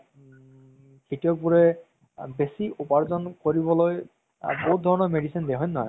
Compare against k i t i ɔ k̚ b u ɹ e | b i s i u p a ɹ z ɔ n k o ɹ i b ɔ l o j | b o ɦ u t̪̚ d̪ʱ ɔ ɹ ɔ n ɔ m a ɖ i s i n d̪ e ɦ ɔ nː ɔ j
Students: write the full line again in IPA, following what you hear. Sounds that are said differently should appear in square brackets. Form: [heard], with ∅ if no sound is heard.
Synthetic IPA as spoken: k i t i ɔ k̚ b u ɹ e | b [e] s i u p a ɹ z ɔ n k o ɹ i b ɔ l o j | b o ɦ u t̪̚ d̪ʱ ɔ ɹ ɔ n ɔ m [e] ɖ i s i n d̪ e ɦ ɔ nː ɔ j